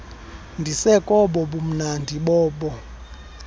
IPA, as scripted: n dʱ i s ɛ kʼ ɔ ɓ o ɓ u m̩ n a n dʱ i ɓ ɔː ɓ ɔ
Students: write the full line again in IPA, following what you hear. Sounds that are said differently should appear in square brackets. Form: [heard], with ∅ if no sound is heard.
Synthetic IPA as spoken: n dʱ i s ɛ kʼ ɔ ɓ [ɔ] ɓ u m̩ n a n dʱ i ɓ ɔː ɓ ɔ